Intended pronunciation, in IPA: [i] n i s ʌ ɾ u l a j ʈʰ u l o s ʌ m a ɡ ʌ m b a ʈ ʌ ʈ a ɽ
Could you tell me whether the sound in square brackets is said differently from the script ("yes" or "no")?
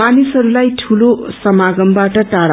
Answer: yes